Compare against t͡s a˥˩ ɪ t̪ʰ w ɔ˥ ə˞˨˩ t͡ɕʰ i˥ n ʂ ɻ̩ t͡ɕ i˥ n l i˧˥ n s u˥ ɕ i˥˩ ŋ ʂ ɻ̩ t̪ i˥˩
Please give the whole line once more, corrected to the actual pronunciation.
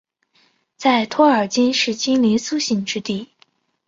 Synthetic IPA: t͡s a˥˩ ɪ t̪ʰ w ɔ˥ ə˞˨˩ t͡ɕ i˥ n ʂ ɻ̩ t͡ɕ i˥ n l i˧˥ n s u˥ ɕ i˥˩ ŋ ʈ͡ʂ ɻ̩ t̪ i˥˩